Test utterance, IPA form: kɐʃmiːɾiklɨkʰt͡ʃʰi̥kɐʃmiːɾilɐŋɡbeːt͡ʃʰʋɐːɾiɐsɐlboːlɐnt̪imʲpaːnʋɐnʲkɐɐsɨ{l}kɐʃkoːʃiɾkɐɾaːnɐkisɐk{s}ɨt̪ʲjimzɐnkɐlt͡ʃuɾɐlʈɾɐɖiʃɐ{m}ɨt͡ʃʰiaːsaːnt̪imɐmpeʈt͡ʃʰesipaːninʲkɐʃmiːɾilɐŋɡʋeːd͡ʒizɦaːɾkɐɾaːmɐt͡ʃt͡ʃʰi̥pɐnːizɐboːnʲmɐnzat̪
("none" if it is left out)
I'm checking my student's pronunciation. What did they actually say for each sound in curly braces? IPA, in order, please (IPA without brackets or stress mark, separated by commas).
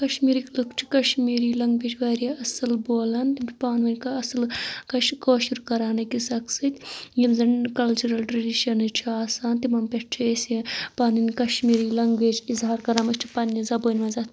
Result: l, s, n